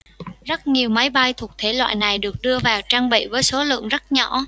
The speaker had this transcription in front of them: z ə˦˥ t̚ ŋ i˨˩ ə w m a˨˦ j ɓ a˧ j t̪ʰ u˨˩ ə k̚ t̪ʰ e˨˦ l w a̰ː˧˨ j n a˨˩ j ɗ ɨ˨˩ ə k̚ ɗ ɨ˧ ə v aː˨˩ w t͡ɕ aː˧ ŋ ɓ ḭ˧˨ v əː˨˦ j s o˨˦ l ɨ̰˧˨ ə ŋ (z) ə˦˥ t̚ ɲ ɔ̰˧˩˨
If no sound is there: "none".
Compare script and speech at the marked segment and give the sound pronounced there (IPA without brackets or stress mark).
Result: z